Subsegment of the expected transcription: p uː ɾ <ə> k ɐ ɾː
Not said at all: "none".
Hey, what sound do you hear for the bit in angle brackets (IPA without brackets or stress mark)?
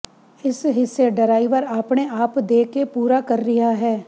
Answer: a